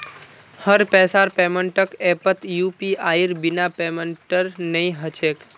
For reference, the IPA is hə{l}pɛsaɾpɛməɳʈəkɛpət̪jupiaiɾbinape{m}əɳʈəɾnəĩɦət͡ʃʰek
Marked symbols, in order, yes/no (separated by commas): no, yes